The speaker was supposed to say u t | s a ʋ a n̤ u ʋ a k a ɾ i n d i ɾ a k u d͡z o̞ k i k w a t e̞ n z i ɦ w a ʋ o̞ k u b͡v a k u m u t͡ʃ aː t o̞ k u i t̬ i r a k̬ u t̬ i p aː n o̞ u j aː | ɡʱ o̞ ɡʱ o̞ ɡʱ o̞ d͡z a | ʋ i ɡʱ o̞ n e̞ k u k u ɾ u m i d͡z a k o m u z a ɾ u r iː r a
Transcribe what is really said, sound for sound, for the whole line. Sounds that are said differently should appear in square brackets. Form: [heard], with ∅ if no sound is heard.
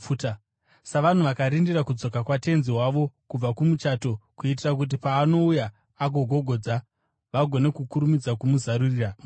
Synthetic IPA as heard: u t | s a ʋ a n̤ u ʋ a k a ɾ i n d i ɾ a k u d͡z o̞ k [a] k w a t e̞ n z i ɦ w a ʋ o̞ k u b͡v a k u m u t͡ʃ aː t o̞ k u i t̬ i r a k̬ u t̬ i p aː n o̞ u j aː | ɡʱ o̞ ɡʱ o̞ ɡʱ o̞ d͡z a | ʋ [a] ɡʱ o̞ n e̞ k u k u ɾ u m i d͡z a k [u] m u z a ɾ u r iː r a